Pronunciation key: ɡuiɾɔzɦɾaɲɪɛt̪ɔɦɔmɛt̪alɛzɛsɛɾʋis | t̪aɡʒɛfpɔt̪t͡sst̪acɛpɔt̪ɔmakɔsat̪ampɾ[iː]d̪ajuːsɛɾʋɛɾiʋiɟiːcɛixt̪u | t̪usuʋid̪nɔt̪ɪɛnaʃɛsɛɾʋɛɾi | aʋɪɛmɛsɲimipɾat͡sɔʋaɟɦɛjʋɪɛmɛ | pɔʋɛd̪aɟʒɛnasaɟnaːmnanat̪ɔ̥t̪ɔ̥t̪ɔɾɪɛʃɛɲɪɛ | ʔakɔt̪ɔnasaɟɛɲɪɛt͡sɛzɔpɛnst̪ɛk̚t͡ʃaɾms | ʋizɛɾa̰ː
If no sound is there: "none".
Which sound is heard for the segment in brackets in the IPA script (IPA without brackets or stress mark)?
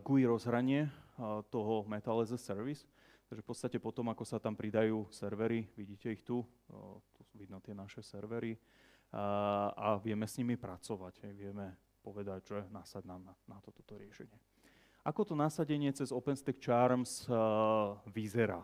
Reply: i